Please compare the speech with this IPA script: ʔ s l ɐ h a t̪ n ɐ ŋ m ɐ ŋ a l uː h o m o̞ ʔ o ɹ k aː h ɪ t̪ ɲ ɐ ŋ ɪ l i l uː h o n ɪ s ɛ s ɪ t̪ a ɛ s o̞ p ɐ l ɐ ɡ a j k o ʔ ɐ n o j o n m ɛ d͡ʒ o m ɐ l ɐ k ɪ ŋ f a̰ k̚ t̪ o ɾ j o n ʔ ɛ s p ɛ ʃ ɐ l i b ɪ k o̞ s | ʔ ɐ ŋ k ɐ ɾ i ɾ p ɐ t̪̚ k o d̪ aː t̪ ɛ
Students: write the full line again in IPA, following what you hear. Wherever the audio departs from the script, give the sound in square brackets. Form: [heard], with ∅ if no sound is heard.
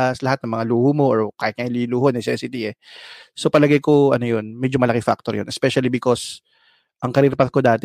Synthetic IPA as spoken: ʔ s l ɐ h a t̪ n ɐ ŋ m ɐ ŋ a l uː h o m o̞ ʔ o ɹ k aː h ɪ t̪ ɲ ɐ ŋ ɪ l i l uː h o n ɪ s ɛ s ɪ t̪ [i] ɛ s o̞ p ɐ l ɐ ɡ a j k o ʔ ɐ n o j o n m ɛ d͡ʒ o m ɐ l ɐ k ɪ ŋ f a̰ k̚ t̪ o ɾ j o n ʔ ɛ s p ɛ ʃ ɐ l i b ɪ k o̞ s | ʔ ɐ ŋ k ɐ ɾ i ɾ p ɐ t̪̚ k o d̪ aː t̪ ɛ